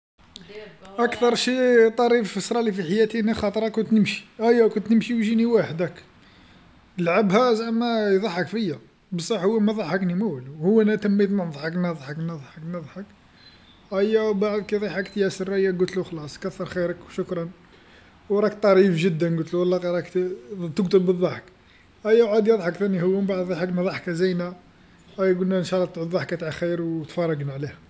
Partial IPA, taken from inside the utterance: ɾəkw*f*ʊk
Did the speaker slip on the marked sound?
yes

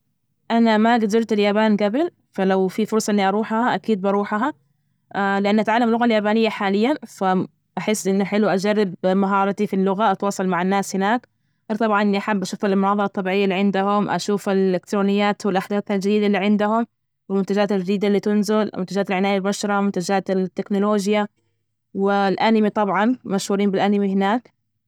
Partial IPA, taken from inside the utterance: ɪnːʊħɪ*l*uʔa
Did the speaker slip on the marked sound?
no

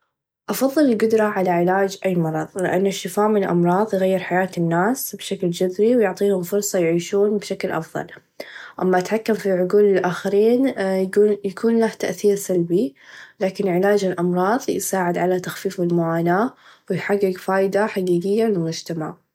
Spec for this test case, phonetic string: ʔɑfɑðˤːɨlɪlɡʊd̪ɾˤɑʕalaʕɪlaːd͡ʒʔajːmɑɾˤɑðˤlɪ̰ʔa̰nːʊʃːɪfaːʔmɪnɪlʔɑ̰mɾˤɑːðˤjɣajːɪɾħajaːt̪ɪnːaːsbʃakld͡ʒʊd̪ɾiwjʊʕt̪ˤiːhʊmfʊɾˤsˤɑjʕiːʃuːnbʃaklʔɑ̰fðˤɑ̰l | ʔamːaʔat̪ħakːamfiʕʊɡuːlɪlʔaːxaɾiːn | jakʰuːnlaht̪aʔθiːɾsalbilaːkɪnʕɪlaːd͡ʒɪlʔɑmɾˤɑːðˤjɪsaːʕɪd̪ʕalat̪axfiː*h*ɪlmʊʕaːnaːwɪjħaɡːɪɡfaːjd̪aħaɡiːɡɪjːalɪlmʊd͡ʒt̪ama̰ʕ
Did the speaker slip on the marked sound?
yes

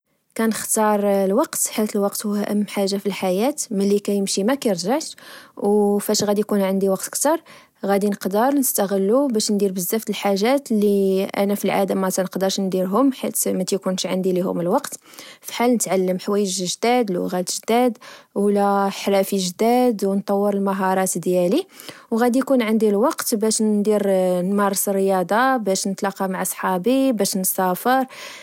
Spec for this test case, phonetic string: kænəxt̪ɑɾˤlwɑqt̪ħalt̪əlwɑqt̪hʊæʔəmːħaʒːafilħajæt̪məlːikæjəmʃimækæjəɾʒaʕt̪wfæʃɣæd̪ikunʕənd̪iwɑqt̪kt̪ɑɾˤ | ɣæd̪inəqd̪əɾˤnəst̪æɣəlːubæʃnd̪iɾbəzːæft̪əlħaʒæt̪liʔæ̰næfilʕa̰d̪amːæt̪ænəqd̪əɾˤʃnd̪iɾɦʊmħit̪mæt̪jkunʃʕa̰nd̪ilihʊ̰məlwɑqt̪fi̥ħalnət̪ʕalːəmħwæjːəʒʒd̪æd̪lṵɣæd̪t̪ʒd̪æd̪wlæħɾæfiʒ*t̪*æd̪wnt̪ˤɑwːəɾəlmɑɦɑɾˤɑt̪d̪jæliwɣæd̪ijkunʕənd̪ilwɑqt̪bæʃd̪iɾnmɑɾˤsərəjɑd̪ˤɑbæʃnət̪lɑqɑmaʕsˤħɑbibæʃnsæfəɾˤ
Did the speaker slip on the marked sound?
yes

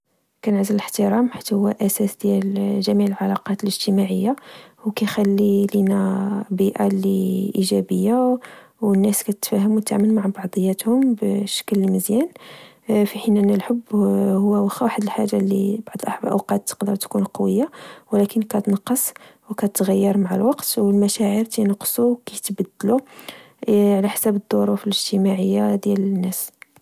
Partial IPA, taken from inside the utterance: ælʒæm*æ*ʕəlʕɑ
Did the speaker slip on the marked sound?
yes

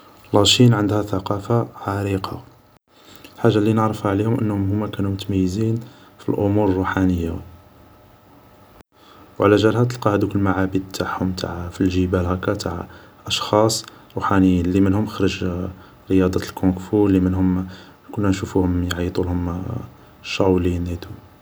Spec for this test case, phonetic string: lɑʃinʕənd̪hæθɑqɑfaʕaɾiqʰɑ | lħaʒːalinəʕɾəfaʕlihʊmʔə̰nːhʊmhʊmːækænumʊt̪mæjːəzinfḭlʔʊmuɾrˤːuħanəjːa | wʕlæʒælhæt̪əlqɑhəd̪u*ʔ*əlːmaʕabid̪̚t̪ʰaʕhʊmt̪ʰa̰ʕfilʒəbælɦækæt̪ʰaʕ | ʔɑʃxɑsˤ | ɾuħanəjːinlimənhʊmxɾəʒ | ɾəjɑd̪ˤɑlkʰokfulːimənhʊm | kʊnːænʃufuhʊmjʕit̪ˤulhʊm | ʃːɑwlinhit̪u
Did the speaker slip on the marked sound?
yes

